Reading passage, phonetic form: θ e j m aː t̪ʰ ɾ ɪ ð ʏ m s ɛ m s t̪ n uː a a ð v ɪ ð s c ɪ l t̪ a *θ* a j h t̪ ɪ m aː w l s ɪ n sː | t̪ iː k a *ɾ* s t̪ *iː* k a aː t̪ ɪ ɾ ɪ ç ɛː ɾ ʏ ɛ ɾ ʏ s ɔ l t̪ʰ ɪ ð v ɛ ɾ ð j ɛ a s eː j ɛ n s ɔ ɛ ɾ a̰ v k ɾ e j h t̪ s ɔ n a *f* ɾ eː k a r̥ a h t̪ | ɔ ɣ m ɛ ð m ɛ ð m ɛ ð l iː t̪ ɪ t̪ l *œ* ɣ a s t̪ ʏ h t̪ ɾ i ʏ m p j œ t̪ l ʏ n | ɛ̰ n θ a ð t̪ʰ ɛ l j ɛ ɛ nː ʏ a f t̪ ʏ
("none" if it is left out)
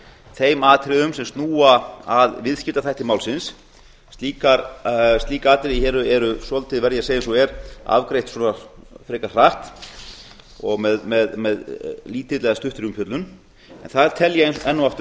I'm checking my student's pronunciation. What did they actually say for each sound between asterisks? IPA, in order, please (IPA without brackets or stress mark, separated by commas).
θ, ɾ, iː, f, ɛ